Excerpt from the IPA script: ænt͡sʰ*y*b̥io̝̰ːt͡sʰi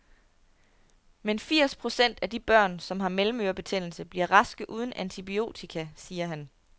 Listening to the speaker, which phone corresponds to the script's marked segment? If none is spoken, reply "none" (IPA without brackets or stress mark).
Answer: i